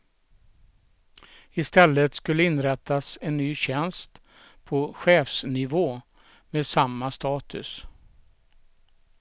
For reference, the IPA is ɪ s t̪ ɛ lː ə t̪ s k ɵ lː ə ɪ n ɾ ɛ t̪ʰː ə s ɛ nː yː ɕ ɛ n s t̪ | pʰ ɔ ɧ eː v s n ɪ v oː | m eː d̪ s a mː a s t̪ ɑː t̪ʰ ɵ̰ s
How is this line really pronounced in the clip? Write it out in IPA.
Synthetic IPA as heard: ɪ s t̪ ɛ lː ə t̪ s k ɵ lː ə ɪ n ɾ ɛ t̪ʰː a s ɛ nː yː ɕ ɛ n s t̪ | pʰ ɔ ɧ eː f s n ɪ v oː | m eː d̪ s a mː a s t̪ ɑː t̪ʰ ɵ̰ s